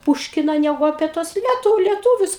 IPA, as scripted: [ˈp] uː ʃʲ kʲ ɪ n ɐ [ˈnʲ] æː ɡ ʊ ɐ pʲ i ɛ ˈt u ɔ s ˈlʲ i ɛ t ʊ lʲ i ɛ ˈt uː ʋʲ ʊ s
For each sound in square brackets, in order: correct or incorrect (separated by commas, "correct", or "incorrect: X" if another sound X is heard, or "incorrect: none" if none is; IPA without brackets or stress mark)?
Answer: correct, correct